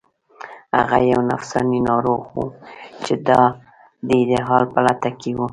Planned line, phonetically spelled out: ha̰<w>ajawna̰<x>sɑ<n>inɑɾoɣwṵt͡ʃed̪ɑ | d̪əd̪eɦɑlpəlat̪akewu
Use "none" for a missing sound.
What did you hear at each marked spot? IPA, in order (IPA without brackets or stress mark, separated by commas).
ɣ, f, n